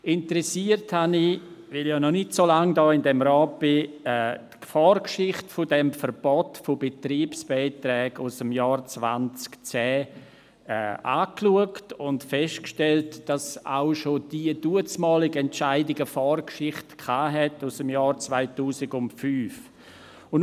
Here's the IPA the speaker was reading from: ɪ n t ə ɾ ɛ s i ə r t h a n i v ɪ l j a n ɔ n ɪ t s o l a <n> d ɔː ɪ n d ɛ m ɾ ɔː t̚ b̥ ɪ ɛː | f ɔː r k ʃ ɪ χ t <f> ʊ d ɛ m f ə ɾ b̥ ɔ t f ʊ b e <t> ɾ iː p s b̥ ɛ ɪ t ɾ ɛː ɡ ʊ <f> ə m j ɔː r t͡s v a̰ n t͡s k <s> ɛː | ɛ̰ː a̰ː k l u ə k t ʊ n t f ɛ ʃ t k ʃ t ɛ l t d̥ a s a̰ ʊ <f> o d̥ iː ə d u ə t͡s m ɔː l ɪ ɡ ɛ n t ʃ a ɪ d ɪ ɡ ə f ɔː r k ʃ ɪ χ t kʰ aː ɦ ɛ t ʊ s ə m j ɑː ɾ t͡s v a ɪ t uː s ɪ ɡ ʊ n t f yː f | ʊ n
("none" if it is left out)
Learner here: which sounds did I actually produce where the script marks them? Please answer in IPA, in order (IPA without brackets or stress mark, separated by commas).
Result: ŋ, f, t, s, t͡s, ʃ